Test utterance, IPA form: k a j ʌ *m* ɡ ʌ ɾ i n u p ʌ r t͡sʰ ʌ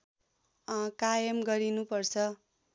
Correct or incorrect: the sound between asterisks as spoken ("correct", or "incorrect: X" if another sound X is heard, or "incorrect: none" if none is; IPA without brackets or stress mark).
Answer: correct